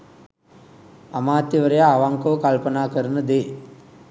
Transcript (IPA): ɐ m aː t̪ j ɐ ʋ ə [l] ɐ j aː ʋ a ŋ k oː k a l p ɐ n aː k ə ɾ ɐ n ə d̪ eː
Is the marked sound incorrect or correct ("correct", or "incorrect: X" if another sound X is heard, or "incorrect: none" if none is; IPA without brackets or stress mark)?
incorrect: ɾ